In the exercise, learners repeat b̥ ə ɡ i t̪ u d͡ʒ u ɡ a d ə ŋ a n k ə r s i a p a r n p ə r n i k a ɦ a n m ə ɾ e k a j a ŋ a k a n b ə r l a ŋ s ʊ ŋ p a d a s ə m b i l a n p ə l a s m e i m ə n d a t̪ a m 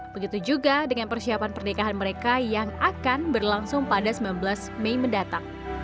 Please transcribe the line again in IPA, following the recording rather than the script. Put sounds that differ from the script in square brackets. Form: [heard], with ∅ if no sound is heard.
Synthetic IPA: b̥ ə ɡ i t̪ u d͡ʒ u ɡ a d ə ŋ a n [p] ə r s i a p a [∅] n p ə r n i k a ɦ a n m ə ɾ e k a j a ŋ a k a n b ə r l a ŋ s ʊ ŋ p a d a s ə m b i l a n [b] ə l a s m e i m ə n d a t̪ a [ŋ]